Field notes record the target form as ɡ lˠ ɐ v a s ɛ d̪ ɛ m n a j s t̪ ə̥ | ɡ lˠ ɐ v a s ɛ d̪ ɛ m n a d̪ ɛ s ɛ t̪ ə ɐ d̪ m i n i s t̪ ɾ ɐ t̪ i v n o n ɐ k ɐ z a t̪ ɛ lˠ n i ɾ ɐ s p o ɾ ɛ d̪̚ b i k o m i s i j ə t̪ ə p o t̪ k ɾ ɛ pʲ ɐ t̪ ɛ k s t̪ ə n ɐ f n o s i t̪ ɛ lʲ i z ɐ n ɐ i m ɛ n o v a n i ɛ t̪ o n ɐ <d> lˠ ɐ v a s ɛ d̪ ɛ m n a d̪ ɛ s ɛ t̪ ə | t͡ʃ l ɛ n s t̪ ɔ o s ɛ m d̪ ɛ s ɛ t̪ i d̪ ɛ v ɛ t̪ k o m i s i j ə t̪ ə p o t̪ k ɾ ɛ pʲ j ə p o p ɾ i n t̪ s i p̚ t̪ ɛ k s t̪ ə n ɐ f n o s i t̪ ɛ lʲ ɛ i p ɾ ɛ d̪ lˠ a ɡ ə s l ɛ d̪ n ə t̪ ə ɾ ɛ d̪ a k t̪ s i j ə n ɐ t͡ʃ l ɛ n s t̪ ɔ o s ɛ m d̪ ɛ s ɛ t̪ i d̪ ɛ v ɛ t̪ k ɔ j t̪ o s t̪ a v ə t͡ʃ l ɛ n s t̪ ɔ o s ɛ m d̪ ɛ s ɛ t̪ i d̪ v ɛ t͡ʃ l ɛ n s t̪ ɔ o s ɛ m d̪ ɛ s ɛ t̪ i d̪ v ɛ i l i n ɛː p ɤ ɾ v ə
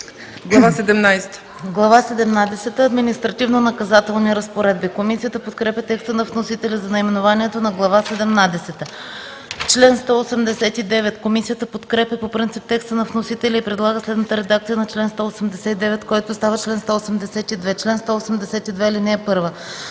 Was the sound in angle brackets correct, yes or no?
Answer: no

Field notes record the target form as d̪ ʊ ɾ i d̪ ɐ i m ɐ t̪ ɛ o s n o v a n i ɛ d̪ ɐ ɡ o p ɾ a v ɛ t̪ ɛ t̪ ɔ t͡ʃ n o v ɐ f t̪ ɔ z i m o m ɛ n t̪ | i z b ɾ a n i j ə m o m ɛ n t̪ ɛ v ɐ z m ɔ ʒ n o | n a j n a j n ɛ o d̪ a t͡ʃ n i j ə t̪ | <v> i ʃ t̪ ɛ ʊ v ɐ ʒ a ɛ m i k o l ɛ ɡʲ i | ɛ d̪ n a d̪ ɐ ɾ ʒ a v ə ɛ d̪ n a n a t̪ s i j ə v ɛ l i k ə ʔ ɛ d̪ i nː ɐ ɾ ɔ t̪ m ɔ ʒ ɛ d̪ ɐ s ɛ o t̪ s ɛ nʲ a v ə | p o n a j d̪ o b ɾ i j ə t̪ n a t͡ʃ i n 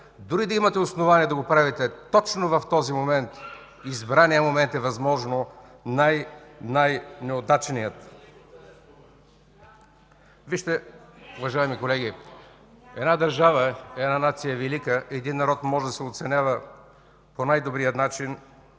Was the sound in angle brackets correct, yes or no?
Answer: yes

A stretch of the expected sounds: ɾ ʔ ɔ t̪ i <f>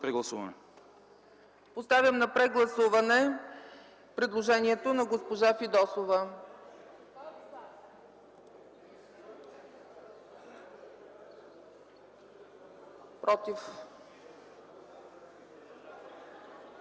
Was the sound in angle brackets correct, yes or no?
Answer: yes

